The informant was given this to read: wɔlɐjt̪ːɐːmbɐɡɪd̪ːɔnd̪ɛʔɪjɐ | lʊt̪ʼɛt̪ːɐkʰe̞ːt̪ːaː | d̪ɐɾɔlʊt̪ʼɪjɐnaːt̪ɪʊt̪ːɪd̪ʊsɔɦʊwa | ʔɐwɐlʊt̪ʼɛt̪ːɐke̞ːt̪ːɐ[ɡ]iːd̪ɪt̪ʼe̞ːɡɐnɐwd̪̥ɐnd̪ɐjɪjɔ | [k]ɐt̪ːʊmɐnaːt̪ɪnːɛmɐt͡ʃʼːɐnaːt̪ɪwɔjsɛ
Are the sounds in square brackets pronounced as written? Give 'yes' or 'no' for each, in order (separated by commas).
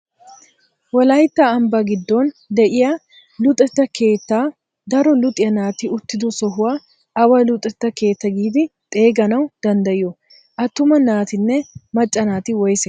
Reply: yes, no